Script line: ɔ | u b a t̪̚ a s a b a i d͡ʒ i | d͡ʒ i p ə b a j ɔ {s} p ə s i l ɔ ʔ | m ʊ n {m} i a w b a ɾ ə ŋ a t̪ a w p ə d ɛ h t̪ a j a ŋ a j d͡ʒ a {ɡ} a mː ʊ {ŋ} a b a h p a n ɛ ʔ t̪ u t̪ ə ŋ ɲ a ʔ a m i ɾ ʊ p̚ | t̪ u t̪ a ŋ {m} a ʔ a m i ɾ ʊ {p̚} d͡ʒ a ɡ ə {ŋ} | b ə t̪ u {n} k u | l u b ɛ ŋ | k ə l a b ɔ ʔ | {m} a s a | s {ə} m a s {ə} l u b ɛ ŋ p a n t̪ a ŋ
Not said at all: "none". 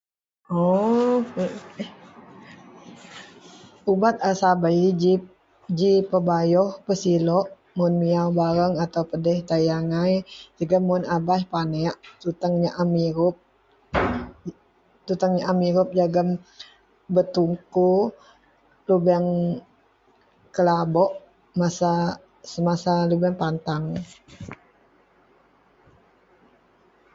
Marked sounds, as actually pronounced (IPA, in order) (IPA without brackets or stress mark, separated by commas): h, m, ɡ, n, ɲ, p̚, m, ŋ, m, ə, a